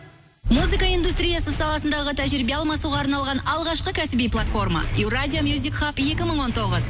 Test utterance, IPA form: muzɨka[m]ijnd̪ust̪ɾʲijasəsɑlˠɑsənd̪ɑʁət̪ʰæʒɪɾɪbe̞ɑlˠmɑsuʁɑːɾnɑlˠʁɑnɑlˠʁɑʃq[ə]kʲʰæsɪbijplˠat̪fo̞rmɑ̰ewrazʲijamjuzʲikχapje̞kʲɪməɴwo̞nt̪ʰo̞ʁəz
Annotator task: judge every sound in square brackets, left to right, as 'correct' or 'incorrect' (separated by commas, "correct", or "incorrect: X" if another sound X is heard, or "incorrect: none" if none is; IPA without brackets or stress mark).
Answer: incorrect: none, correct